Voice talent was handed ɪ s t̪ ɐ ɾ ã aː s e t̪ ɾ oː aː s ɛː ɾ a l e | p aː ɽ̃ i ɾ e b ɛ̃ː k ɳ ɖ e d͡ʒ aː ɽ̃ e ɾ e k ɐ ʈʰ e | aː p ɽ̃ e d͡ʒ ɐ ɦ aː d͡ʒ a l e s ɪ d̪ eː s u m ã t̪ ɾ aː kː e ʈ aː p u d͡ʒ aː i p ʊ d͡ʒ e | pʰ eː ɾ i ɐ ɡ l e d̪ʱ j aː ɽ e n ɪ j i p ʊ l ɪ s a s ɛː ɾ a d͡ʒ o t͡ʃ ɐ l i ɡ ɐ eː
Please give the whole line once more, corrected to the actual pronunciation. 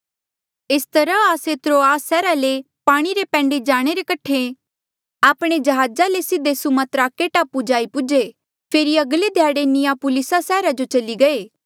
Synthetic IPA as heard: ɪ s t̪ ɐ ɾ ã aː s e t̪ ɾ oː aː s ɛː ɾ a l e | p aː ɽ̃ i ɾ e p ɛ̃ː ɳ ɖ e d͡ʒ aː ɽ̃ e ɾ e k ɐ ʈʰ e | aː p ɽ̃ e d͡ʒ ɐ ɦ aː d͡ʒ a l e s ɪ d̪ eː s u m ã t̪ ɾ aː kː e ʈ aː p u d͡ʒ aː i p ʊ d͡ʒ e | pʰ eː ɾ i ɐ ɡ l e d̪ʱ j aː ɽ e n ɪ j a p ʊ l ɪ s a s ɛː ɾ a d͡ʒ o t͡ʃ ɐ l i ɡ ɐ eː